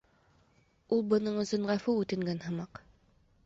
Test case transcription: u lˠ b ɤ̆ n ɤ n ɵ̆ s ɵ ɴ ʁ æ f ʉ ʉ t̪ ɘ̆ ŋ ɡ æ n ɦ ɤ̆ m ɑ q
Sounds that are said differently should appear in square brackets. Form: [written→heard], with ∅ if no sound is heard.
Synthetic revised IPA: u lˠ b ɤ̆ n ɤ [n→ɴ] ɵ̆ s ɵ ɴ ʁ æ f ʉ ʉ t̪ ɘ̆ ŋ ɡ æ n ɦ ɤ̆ m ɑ q